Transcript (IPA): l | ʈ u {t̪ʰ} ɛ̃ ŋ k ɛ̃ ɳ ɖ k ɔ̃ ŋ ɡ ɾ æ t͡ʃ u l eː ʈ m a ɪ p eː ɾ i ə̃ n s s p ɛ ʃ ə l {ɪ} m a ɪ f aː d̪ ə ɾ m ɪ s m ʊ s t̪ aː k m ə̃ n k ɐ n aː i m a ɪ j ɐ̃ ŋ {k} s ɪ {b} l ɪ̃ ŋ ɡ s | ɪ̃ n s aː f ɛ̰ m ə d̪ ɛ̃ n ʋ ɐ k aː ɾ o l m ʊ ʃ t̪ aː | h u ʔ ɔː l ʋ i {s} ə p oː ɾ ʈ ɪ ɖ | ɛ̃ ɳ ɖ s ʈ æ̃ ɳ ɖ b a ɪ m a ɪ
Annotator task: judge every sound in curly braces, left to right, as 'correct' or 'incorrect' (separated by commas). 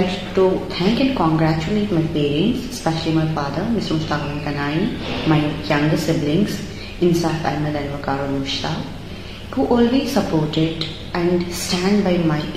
correct, incorrect, incorrect, correct, correct